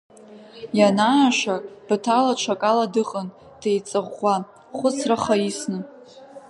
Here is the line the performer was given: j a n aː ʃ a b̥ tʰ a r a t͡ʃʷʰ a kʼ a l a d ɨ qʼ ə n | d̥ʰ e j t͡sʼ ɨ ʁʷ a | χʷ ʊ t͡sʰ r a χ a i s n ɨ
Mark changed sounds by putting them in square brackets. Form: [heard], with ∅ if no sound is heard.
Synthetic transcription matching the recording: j a n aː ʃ a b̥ tʰ a [l] a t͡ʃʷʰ a kʼ a l a d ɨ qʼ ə n | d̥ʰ e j t͡sʼ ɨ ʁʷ a | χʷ ʊ t͡sʰ r a χ a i s n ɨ